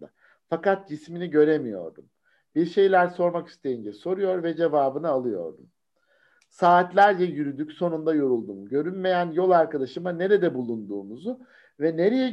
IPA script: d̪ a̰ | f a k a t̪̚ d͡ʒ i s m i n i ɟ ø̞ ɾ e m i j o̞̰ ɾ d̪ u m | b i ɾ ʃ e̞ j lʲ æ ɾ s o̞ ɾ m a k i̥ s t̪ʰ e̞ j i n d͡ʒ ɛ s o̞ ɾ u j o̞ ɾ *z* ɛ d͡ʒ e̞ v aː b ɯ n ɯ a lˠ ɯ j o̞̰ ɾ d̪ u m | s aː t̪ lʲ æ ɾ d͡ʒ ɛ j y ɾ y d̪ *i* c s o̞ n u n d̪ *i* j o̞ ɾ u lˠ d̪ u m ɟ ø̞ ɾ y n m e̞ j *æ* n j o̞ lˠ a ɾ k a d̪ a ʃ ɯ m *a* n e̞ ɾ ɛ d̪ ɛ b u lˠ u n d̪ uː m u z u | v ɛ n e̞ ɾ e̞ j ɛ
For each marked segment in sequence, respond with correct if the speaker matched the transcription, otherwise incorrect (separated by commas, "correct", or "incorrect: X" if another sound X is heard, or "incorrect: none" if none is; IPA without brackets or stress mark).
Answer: incorrect: v, incorrect: y, incorrect: a, correct, correct